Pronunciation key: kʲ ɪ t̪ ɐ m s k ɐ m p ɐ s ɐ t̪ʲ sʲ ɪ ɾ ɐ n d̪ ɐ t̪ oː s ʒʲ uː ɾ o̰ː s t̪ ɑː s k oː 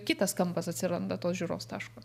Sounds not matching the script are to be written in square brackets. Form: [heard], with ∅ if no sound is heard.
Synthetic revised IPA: kʲ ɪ t̪ ɐ [∅] s k ɐ m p ɐ s ɐ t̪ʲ sʲ ɪ ɾ ɐ n d̪ ɐ t̪ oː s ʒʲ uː ɾ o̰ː s t̪ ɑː [ʃ] k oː